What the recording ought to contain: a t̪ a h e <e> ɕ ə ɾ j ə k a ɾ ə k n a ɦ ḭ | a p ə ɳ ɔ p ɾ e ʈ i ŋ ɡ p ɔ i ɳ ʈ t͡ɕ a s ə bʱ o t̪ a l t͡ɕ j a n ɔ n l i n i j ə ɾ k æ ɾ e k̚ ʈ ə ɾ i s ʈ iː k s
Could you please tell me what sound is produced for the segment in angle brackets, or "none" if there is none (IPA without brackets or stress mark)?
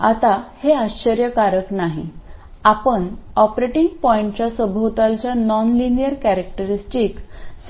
a